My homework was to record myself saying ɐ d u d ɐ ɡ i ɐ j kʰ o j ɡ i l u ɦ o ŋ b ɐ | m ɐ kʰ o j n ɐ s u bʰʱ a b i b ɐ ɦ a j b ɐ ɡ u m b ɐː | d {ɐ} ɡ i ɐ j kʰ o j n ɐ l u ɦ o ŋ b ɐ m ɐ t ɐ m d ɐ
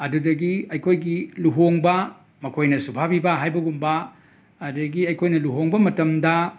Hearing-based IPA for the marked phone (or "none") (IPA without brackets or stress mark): ɐ